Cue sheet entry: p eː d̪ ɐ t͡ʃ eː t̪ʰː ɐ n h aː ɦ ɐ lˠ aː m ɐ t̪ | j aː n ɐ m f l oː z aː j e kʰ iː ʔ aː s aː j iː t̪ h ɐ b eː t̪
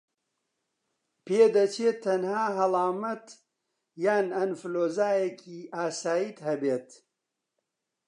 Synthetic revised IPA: p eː d̪ ɐ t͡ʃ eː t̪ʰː ɐ n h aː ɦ ɐ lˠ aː m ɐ t̪ | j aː n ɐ n f l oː z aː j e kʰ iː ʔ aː s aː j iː t̪ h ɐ b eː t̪